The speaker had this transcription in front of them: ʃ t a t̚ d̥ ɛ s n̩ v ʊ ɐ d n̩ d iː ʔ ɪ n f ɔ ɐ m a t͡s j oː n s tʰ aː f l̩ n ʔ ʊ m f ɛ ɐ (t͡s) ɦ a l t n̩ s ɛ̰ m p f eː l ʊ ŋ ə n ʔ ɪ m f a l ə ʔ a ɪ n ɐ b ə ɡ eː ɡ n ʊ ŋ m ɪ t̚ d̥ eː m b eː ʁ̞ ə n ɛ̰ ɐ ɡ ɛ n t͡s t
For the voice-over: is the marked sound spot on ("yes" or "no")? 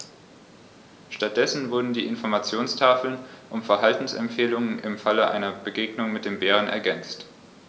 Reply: no